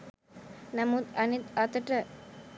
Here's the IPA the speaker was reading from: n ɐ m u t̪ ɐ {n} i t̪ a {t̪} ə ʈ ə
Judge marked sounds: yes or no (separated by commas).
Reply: yes, yes